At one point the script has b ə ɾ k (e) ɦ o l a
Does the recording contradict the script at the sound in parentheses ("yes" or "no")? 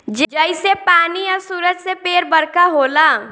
yes